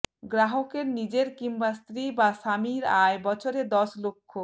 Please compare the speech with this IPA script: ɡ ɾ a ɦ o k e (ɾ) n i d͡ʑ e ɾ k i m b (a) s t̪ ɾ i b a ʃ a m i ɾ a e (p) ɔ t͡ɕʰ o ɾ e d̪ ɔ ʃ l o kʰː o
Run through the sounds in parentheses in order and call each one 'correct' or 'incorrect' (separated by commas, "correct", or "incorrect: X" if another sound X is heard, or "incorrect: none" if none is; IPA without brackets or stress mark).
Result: correct, correct, incorrect: b